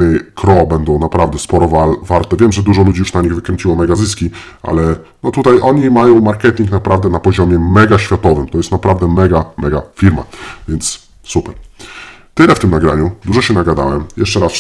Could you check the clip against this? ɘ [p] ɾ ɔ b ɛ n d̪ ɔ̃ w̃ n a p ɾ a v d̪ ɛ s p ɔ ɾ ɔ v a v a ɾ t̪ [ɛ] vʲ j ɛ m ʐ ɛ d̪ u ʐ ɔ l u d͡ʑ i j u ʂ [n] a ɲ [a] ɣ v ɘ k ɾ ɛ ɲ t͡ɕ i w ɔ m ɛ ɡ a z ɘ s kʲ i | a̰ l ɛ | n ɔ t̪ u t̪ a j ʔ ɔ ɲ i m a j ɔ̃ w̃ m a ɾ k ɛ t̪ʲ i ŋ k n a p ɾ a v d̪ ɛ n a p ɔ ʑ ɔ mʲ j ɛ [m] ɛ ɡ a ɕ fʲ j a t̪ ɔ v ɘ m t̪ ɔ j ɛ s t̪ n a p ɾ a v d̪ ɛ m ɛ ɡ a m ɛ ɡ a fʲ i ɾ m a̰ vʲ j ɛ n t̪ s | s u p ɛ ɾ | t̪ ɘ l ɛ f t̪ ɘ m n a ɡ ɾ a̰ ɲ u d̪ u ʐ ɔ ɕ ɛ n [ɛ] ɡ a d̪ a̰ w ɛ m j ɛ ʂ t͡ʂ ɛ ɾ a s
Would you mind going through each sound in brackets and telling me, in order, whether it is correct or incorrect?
incorrect: k, correct, correct, incorrect: i, correct, incorrect: a

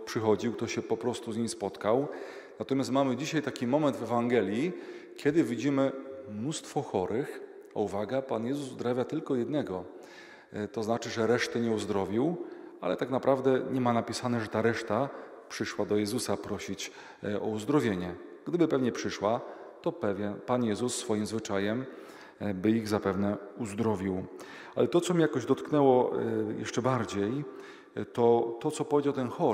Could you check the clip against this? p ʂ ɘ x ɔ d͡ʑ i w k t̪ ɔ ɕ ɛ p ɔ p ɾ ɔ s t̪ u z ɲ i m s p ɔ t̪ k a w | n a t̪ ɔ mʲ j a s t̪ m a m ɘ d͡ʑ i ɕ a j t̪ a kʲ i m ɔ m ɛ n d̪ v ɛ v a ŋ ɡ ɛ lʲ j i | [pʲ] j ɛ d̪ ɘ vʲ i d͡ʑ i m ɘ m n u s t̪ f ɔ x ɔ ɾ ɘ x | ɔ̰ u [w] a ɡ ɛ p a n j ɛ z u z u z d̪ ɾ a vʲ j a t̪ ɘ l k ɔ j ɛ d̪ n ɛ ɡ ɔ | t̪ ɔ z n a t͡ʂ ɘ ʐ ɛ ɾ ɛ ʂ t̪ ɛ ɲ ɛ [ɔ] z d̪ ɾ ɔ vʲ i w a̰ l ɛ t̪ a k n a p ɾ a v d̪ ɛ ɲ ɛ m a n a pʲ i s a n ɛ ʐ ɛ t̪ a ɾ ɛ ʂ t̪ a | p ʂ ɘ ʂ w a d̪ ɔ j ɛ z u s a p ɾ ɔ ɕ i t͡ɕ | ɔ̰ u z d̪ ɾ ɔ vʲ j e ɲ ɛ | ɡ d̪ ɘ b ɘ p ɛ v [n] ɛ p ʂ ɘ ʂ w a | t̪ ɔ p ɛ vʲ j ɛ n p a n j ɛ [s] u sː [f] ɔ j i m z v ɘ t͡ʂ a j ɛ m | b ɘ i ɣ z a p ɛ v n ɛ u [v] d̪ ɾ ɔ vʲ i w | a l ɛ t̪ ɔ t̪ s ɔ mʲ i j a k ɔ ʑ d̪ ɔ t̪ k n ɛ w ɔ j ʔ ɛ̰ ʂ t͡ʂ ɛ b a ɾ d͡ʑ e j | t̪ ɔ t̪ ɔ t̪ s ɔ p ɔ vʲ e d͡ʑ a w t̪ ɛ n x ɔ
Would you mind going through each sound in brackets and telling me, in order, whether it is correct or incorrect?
incorrect: kʲ, incorrect: v, incorrect: u, incorrect: ɲ, incorrect: z, correct, incorrect: z

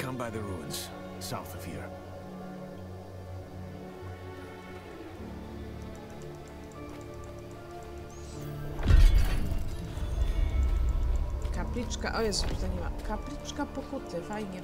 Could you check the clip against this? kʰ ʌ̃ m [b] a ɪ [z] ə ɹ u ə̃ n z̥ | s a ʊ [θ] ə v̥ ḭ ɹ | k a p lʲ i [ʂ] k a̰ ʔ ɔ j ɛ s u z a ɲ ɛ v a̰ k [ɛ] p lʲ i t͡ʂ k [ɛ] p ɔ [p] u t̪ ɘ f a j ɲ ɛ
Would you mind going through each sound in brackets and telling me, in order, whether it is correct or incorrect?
correct, incorrect: ð, correct, incorrect: t͡ʂ, incorrect: a, incorrect: a, incorrect: k

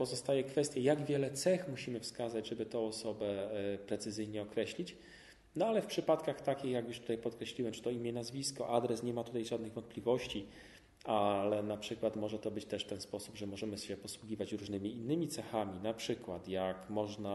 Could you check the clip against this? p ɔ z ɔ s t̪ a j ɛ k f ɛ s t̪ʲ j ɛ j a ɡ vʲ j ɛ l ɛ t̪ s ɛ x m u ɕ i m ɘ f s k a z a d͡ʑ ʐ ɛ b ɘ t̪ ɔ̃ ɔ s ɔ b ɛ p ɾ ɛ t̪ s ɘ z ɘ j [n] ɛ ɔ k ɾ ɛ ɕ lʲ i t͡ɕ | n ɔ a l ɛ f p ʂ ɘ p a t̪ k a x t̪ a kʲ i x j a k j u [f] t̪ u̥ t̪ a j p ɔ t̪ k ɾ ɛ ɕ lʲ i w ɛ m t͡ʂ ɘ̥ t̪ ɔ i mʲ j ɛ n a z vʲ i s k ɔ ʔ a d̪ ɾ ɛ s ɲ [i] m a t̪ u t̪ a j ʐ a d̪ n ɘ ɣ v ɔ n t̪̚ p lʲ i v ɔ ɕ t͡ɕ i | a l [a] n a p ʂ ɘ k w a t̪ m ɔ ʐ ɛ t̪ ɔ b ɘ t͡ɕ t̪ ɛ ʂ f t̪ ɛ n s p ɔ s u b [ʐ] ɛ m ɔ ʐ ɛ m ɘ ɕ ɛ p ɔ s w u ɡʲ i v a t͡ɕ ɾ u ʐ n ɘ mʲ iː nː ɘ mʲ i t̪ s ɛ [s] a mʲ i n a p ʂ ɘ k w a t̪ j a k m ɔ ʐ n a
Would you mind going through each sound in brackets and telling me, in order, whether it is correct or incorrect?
incorrect: ɲ, incorrect: ʂ, incorrect: ɛ, incorrect: ɛ, correct, incorrect: x

